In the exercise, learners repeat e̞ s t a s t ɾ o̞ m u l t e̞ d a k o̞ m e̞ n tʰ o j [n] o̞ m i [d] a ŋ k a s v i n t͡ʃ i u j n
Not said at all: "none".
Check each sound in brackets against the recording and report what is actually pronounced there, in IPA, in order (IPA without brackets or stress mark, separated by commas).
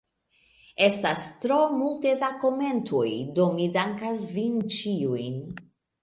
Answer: d, d